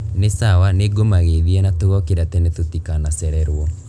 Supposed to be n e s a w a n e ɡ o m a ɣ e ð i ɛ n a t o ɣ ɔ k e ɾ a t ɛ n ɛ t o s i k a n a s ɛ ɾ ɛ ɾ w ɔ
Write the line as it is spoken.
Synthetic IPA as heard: n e s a w a n e ɡ o m a ɣ e ð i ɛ n a t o ɣ ɔ k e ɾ a t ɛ n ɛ t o t i k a n a s ɛ ɾ ɛ ɾ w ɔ